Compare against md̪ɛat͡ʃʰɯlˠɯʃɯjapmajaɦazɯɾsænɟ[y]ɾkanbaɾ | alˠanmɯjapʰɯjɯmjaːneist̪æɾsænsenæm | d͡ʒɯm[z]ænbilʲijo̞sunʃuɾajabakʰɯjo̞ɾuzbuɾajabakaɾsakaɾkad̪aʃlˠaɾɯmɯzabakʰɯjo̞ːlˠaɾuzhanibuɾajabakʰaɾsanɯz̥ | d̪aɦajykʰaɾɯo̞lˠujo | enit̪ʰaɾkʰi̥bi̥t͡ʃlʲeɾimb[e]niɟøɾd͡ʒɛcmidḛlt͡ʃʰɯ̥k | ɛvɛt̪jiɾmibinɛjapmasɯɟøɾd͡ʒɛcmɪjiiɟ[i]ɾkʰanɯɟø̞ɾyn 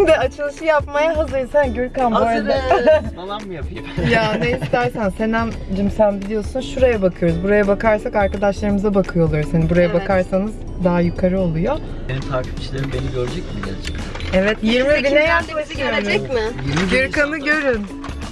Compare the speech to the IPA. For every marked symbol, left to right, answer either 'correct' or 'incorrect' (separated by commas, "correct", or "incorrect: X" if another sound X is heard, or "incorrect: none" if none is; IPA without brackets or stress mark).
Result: correct, incorrect: s, correct, incorrect: y